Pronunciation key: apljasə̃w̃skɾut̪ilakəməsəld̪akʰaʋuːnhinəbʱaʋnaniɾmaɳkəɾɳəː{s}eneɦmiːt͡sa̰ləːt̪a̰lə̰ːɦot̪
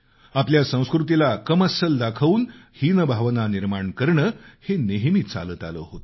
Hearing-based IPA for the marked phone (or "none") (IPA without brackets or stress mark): h